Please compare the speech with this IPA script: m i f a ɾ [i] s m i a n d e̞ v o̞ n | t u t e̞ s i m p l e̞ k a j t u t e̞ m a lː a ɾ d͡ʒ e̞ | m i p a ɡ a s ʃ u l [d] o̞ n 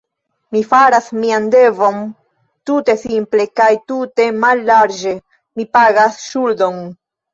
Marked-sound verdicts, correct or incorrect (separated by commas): incorrect, correct